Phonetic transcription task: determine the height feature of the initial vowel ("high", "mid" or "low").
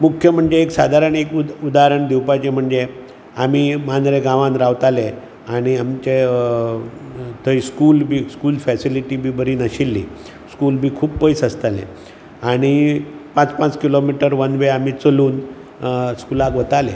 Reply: high